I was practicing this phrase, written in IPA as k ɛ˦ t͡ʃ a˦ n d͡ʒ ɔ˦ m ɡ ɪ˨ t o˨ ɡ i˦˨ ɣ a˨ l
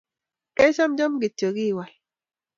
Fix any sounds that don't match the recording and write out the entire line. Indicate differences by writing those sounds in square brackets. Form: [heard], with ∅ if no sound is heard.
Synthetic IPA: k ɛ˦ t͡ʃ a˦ [m] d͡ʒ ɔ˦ m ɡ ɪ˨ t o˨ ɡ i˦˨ [w] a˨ l